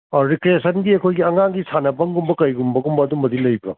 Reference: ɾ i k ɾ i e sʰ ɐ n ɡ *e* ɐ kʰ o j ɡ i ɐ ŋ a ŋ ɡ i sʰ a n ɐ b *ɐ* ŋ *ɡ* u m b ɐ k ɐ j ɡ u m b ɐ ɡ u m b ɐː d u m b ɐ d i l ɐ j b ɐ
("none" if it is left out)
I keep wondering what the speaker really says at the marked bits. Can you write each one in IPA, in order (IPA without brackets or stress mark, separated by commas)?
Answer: i, ɐ, ɡ